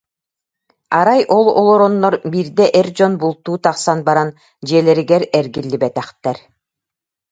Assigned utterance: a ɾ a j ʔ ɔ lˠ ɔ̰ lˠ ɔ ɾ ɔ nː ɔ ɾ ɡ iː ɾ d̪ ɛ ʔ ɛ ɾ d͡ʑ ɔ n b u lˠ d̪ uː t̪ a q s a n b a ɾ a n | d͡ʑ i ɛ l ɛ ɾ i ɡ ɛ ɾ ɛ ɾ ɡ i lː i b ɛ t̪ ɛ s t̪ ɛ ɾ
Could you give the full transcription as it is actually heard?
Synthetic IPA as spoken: a ɾ a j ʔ ɔ lˠ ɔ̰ lˠ ɔ ɾ ɔ nː ɔ ɾ b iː ɾ d̪ ɛ ʔ ɛ ɾ d͡ʑ ɔ n b u lˠ t̪ uː t̪ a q s a n b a ɾ a n | d͡ʑ i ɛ l ɛ ɾ i ɡ ɛ ɾ ɛ ɾ ɡ i lː i b ɛ t̪ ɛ χ t̪ ɛ ɾ